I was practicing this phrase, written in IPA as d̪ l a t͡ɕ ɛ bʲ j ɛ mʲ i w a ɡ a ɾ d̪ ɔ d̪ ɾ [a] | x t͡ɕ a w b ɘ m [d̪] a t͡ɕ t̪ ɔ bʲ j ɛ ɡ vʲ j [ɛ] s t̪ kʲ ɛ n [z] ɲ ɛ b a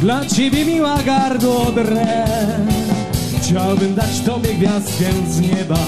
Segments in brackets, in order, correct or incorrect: incorrect: ɛ, correct, incorrect: a, correct

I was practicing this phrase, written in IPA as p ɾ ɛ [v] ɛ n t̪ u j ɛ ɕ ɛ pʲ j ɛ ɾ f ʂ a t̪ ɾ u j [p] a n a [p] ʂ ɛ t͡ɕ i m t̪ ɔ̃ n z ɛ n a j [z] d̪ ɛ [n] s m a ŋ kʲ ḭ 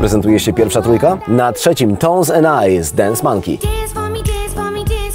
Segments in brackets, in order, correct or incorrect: incorrect: z, incorrect: k, incorrect: t, correct, correct

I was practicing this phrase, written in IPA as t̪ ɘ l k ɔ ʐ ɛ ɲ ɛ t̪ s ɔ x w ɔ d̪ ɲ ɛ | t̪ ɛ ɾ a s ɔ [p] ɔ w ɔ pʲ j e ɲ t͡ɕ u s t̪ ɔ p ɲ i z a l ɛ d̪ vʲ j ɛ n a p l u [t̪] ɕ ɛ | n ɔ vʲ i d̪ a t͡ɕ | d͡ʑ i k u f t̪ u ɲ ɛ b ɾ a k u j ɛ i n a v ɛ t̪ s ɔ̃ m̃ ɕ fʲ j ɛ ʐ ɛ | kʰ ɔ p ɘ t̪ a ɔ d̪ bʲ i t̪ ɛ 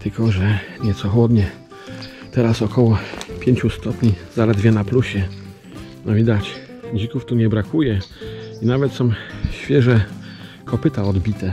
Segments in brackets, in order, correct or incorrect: incorrect: k, incorrect: none

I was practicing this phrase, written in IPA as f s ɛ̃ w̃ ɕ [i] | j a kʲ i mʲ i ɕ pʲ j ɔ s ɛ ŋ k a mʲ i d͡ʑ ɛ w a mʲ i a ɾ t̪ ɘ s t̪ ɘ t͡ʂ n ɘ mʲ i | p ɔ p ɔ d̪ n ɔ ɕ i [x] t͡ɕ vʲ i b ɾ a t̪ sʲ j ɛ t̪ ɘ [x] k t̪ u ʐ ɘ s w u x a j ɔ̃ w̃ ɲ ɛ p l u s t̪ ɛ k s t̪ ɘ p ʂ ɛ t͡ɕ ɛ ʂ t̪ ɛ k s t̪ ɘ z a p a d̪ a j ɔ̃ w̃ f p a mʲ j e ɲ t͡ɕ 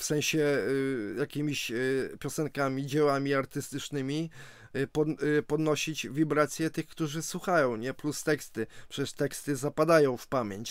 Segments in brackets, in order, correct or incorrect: incorrect: ɛ, incorrect: none, correct

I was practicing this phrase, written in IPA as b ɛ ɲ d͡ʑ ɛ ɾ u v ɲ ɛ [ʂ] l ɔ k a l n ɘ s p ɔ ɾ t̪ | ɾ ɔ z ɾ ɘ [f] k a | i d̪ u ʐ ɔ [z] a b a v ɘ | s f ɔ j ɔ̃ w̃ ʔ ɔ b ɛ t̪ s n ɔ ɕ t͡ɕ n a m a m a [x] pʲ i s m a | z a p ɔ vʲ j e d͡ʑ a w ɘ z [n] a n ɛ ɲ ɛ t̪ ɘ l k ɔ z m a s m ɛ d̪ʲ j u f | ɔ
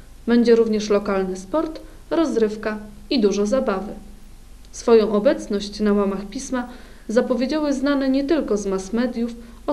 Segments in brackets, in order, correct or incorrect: correct, correct, correct, correct, correct

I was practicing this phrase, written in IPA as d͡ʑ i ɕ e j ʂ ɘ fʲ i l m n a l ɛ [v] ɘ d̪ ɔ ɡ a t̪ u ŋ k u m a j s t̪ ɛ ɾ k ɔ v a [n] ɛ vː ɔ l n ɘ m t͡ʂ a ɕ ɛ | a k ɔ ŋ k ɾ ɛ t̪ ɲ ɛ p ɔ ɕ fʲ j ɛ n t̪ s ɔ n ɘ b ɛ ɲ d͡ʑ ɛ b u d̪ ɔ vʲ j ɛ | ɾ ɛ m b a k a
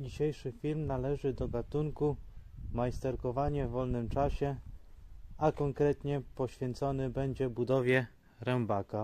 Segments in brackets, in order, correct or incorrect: incorrect: ʐ, incorrect: ɲ

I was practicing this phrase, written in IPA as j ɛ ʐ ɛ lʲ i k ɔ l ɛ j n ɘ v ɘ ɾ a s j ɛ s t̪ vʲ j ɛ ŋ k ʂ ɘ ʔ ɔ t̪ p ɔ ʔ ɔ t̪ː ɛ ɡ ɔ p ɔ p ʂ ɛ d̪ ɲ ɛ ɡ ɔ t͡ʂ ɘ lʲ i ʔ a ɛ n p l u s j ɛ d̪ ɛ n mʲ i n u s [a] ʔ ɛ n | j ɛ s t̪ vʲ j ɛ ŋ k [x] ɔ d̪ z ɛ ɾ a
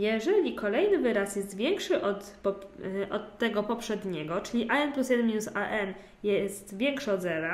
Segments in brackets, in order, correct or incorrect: correct, incorrect: ʂ

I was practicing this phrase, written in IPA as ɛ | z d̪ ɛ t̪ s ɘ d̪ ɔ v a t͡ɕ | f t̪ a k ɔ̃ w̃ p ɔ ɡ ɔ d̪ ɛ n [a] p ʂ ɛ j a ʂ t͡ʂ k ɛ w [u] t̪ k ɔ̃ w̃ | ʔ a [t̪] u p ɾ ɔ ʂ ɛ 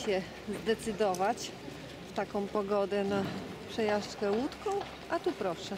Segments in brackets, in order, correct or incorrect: correct, correct, correct

